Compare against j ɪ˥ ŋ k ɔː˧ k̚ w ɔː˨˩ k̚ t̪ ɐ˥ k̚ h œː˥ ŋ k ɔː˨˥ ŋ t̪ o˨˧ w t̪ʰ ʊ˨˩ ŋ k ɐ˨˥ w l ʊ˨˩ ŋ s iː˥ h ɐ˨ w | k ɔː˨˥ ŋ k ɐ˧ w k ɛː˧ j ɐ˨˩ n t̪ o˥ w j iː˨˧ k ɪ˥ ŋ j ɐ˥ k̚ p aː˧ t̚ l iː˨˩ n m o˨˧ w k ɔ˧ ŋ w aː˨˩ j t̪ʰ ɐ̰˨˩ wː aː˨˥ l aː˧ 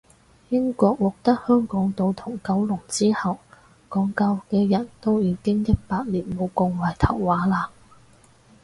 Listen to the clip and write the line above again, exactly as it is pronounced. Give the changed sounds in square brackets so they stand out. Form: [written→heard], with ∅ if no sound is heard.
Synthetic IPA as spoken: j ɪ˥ ŋ k ɔː˧ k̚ w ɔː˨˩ k̚ t̪ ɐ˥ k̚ h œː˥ ŋ k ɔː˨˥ ŋ t̪ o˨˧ w t̪ʰ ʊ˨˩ ŋ k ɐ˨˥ w l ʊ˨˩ ŋ [s→t͡s] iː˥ h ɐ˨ w | k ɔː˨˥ ŋ k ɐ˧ w k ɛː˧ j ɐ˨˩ n t̪ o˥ w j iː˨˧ k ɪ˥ ŋ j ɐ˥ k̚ p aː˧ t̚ l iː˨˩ n m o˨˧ w k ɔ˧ ŋ w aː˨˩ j t̪ʰ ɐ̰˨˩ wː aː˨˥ l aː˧